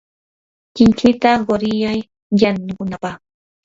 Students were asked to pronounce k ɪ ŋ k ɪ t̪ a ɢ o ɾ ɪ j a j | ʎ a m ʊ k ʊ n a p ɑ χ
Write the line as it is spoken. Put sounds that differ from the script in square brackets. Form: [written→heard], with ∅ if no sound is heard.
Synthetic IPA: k ɪ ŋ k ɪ t̪ a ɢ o ɾ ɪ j a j | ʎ a [m→n] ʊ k ʊ n a p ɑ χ